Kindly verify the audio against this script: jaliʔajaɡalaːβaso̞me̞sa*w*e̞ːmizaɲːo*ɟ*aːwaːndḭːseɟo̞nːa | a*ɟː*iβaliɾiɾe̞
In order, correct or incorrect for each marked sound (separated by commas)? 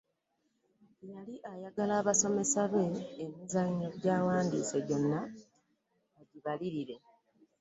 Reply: incorrect, correct, incorrect